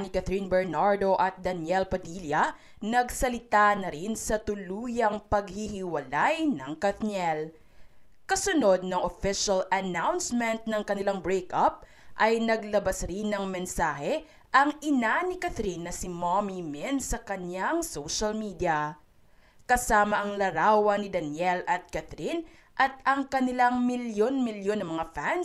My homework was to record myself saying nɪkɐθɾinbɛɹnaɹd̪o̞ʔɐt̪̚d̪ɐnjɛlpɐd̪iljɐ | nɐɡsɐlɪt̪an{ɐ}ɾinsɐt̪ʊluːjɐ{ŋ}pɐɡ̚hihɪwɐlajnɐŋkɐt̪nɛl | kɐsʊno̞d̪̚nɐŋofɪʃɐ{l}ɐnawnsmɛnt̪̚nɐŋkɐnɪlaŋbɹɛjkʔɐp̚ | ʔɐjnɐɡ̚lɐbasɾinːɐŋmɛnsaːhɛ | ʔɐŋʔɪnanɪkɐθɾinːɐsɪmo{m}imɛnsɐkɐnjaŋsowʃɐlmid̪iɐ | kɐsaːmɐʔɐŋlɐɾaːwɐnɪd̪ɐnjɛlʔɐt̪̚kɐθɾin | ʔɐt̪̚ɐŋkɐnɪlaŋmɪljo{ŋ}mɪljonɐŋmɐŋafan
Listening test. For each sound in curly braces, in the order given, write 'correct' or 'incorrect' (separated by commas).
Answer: correct, correct, correct, correct, incorrect